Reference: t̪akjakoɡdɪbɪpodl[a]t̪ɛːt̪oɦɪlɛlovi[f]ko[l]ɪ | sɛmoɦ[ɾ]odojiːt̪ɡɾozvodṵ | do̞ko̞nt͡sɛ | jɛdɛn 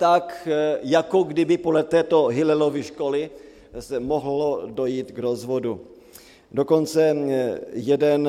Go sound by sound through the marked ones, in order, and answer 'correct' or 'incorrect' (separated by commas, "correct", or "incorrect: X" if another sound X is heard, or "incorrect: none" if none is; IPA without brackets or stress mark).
incorrect: ɛ, incorrect: ʃ, correct, incorrect: l